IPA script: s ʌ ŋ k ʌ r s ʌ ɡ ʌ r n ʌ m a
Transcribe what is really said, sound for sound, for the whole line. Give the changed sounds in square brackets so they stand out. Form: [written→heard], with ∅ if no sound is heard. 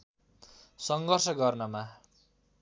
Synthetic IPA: s ʌ ŋ [k→ɡ] ʌ r s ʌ ɡ ʌ r n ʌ m a